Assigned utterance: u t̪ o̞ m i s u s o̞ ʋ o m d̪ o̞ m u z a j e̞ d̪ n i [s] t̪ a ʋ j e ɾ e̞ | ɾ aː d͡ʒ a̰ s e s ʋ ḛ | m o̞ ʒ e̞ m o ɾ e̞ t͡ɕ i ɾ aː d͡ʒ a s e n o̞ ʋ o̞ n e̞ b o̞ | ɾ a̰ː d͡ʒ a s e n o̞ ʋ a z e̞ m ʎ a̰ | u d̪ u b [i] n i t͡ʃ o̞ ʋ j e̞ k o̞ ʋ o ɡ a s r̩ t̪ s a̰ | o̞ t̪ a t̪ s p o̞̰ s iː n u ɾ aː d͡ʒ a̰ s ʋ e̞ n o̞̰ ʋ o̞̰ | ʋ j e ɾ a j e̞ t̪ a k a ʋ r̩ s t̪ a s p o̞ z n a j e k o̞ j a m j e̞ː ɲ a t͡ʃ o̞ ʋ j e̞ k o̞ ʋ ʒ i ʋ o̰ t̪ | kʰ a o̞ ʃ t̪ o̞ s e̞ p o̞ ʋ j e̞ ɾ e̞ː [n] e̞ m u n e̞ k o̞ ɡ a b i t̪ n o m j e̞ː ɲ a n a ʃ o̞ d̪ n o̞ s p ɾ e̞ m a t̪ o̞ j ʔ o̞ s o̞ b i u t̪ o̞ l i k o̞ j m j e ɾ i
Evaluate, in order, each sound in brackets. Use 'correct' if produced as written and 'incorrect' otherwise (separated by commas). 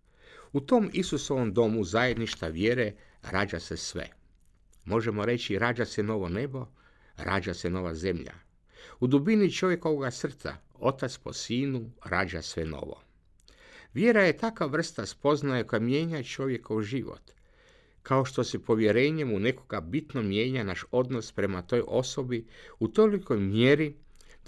incorrect, correct, incorrect